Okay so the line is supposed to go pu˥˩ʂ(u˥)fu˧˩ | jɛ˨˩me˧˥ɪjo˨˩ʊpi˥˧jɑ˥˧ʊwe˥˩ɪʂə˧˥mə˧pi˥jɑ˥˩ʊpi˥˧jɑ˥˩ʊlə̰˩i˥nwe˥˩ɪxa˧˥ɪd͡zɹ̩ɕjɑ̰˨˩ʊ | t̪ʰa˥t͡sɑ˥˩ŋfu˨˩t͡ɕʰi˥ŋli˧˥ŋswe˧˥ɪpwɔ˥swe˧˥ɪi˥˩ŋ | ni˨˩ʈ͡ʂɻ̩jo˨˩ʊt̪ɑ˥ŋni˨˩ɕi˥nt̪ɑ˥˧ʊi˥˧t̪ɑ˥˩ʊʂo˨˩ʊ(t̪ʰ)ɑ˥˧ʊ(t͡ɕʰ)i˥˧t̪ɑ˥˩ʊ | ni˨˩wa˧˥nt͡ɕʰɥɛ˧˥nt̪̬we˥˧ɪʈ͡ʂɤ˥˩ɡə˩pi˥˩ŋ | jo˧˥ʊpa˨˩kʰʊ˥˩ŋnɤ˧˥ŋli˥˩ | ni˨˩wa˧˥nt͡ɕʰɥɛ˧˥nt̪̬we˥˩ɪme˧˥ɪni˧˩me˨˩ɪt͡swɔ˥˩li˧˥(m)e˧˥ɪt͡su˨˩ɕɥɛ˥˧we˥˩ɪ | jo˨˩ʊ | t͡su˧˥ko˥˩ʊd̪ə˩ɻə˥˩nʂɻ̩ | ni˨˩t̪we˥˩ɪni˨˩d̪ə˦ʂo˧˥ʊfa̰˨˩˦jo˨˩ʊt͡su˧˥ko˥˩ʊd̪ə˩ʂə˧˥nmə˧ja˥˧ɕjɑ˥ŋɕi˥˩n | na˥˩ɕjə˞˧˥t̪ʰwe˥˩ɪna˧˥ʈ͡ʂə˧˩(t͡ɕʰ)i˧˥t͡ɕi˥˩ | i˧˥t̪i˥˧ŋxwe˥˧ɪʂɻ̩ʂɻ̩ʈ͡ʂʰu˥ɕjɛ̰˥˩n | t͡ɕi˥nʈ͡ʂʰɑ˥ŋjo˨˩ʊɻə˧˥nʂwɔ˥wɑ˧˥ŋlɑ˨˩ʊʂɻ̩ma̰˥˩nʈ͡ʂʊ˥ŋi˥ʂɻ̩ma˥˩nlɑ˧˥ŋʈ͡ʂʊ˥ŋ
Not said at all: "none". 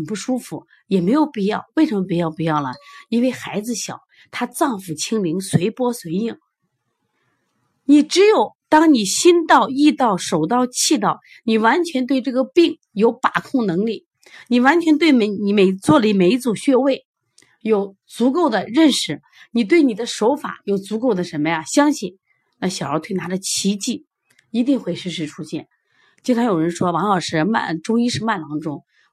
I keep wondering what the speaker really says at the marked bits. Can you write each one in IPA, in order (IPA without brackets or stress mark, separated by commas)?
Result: u˥, t̪, t͡ɕʰ, m, t͡ɕʰ